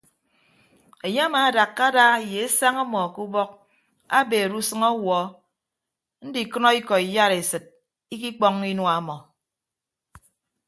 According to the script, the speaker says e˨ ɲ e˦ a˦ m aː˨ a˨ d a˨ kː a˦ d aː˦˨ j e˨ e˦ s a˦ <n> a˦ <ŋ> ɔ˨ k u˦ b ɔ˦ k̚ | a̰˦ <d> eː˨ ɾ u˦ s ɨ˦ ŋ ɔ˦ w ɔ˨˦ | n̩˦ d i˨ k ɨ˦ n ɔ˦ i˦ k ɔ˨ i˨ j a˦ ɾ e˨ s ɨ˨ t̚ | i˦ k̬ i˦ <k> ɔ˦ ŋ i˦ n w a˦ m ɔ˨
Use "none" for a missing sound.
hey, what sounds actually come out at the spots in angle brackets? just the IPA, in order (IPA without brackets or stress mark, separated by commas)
ŋ, m, b, k͡p